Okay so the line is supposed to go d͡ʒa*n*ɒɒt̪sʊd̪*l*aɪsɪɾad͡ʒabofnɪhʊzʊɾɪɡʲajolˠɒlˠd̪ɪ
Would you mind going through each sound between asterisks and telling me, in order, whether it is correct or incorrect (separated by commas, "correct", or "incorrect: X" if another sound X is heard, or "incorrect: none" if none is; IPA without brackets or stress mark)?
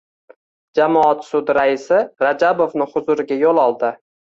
incorrect: m, incorrect: ɾ